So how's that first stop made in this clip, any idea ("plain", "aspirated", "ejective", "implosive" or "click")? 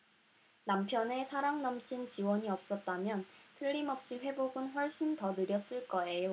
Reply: aspirated